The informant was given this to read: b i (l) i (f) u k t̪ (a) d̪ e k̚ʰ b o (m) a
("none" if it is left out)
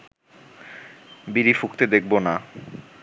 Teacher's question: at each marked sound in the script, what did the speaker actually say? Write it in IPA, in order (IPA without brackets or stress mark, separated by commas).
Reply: ɾ, f, e, n